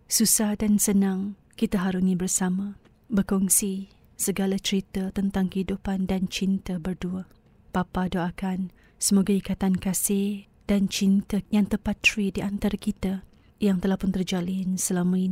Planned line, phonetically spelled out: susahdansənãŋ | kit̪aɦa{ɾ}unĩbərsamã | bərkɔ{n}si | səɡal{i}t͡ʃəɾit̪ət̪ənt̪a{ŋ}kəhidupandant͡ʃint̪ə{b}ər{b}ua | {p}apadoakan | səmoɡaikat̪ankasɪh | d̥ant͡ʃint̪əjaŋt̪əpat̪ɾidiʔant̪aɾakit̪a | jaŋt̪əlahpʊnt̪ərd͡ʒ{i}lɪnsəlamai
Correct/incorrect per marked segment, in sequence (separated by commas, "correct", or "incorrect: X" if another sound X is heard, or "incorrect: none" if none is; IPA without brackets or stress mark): correct, incorrect: ŋ, incorrect: a, correct, correct, incorrect: d, correct, incorrect: a